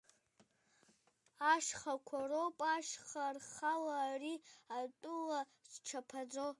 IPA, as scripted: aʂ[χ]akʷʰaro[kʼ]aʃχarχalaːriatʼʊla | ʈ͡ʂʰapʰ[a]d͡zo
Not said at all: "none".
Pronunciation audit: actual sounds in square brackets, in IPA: χ, pʼ, a

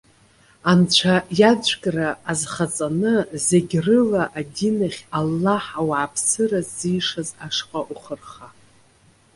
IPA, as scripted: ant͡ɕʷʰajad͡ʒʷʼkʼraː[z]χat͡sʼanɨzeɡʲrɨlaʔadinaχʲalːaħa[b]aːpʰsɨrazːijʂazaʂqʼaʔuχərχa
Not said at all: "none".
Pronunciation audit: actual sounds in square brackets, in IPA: z, w

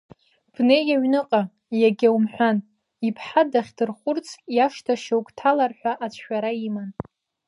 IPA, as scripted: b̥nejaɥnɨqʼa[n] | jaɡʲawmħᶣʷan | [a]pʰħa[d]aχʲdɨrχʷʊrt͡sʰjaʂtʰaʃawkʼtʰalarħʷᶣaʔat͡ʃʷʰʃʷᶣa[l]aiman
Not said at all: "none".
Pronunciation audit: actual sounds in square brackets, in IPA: none, i, d, ɾ

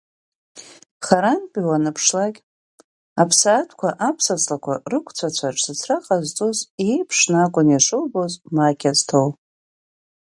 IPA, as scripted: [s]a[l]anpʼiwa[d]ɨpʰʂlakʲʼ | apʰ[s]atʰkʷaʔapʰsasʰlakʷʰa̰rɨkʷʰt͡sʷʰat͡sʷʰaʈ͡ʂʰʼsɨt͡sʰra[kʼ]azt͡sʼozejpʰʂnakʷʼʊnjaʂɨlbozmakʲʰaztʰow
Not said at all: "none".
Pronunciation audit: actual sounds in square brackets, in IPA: χ, ɾ, n, s, qʼ

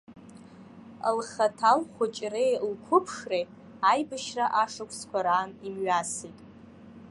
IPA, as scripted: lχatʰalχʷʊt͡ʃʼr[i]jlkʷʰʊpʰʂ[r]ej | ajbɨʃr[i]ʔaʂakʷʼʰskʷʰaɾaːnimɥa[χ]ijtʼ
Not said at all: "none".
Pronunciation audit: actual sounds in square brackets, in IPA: e, r, a, s

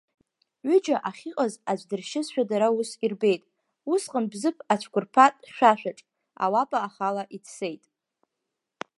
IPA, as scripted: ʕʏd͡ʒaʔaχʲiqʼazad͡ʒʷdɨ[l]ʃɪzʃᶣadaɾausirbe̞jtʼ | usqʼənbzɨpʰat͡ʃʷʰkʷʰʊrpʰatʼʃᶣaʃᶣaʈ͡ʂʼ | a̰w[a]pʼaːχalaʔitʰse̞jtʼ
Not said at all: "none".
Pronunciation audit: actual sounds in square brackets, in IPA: r, a

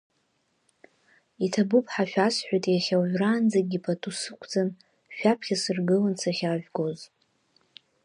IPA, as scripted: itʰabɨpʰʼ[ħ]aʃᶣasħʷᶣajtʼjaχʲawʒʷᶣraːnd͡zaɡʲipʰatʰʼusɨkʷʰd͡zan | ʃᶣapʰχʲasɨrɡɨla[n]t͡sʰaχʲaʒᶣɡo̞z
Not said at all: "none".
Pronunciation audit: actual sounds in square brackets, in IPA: ħ, n

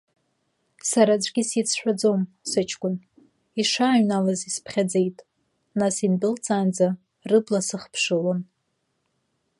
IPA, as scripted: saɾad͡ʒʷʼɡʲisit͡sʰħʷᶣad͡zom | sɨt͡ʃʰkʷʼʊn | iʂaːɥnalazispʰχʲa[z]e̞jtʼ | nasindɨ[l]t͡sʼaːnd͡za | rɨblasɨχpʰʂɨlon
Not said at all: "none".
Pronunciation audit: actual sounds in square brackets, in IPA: d͡z, l

